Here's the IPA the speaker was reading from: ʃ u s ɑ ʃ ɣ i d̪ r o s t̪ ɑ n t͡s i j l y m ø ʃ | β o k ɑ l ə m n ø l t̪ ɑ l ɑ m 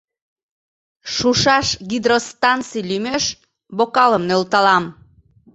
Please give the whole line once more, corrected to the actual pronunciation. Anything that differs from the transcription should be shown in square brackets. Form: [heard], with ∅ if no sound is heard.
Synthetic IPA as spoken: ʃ u [ʃ] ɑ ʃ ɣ i d̪ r o s t̪ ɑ n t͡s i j l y m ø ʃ | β o k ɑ l ə m n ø l t̪ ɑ l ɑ m